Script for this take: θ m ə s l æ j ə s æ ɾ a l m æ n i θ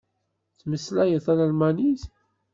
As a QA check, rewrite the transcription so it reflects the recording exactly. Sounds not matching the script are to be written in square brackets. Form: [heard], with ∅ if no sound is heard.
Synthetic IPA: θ m ə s l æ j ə [θ] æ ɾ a l m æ n i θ